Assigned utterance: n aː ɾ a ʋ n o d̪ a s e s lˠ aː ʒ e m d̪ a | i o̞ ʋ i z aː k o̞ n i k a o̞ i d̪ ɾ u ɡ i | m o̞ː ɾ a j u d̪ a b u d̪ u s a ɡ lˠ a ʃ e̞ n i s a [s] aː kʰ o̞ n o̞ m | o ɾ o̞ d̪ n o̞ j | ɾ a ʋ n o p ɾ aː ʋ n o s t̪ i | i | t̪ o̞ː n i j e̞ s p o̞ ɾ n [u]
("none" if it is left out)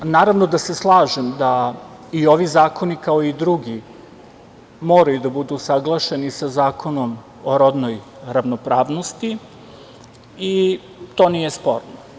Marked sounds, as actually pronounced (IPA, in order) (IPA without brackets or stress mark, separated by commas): z, o